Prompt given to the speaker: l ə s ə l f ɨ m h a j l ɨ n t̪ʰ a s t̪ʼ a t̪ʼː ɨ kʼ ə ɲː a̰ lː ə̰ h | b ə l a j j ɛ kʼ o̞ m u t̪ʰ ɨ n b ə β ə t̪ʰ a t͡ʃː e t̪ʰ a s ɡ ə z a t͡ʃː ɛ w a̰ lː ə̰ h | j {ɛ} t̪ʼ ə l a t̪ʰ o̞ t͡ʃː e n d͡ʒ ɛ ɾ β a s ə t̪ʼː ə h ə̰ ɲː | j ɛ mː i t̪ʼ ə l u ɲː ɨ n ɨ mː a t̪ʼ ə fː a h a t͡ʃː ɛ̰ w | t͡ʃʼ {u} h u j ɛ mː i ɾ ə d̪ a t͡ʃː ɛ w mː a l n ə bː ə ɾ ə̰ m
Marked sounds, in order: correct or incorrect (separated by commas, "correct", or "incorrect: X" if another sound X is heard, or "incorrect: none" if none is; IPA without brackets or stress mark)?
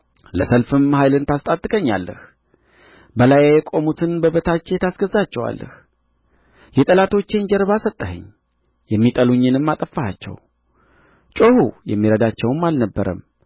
correct, incorrect: o